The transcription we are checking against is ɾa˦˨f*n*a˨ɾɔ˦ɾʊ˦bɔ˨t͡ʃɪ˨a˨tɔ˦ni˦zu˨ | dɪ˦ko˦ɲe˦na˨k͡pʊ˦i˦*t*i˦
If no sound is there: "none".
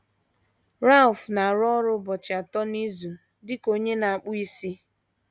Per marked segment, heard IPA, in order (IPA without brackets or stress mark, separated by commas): n, s